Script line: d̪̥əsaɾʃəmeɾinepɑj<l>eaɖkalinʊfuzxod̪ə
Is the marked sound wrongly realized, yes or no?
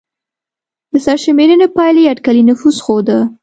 no